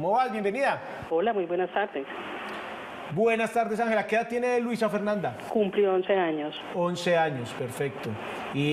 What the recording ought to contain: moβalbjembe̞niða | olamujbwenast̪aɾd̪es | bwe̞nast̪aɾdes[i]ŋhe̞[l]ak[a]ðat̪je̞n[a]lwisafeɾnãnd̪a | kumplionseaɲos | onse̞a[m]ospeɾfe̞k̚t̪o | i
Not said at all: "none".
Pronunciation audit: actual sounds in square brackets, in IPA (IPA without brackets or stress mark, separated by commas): a, l, e, e, ɲ